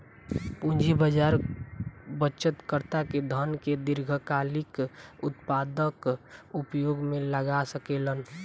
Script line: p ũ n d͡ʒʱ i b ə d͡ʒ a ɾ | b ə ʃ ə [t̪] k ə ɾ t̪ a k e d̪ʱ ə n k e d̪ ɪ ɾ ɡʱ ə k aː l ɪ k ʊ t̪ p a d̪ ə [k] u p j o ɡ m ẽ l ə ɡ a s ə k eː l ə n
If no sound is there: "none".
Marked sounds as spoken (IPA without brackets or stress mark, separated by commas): t̪, k